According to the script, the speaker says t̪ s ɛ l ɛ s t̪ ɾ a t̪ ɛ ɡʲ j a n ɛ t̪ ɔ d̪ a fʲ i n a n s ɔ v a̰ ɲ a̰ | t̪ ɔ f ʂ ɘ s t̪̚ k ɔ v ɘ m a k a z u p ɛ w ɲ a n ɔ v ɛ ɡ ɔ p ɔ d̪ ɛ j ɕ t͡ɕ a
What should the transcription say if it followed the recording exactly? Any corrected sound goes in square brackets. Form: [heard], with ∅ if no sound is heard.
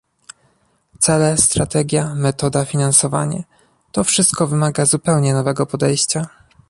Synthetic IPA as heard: t̪ s ɛ l ɛ s t̪ ɾ a t̪ ɛ ɡʲ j a [m] ɛ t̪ ɔ d̪ a fʲ i n a n s ɔ v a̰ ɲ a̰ | t̪ ɔ f ʂ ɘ s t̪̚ k ɔ v ɘ m a [ɡ] a z u p ɛ w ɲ [ɛ] n ɔ v ɛ ɡ ɔ p ɔ d̪ ɛ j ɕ t͡ɕ a